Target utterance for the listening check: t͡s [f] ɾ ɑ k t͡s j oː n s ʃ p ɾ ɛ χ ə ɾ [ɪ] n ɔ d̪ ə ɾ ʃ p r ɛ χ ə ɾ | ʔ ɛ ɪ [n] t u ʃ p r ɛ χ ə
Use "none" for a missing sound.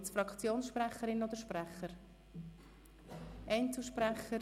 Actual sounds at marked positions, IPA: f, ɪ, n

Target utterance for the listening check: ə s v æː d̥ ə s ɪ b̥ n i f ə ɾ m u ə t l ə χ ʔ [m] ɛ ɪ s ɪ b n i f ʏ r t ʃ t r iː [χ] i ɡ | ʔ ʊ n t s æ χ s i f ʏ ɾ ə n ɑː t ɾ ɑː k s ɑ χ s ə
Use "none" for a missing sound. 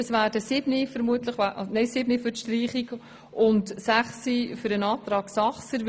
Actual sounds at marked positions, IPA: n, χ

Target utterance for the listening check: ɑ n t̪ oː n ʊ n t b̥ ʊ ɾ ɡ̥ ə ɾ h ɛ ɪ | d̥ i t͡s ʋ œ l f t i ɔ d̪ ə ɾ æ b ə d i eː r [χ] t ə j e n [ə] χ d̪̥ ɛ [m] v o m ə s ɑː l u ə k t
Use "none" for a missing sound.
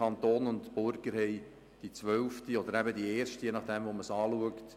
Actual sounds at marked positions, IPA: ʃ, ɑ, m

